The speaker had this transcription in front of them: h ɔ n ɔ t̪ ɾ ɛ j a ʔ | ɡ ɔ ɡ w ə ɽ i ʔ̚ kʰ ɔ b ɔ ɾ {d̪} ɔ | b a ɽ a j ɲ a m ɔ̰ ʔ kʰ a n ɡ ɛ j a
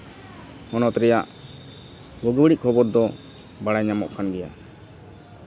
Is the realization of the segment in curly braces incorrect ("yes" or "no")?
no